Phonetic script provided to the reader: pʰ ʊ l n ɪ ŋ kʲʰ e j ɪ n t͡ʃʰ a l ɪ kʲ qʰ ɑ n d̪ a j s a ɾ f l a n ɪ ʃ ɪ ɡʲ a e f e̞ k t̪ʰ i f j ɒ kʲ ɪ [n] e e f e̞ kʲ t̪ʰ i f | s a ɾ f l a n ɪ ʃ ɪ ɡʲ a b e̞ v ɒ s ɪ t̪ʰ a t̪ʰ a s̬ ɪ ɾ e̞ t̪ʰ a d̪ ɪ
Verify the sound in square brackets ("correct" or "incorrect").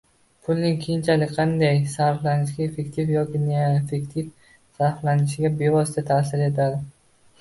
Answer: correct